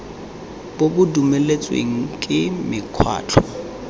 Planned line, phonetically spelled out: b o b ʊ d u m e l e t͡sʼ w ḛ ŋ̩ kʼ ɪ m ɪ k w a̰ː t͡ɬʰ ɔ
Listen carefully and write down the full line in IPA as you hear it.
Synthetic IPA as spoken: b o b ʊ d u m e l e t͡sʼ w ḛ ŋ̩ kʼ ɪ m ɪ kʰ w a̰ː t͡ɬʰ ɔ